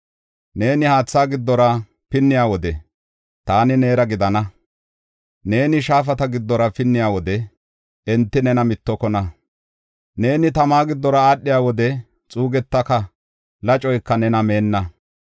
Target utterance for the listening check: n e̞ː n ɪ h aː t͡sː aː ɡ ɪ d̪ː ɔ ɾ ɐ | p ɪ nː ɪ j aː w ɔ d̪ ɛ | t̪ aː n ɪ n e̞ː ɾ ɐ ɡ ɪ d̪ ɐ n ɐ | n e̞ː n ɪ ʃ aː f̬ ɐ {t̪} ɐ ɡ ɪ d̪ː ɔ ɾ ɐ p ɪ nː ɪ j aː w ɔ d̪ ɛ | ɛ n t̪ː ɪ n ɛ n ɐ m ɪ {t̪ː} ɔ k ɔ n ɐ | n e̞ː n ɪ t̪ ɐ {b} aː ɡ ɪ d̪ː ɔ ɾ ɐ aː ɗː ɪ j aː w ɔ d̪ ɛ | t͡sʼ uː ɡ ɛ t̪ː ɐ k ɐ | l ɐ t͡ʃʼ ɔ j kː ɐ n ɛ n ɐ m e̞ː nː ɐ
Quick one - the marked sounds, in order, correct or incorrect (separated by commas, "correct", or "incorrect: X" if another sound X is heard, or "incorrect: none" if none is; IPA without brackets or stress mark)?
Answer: correct, correct, incorrect: m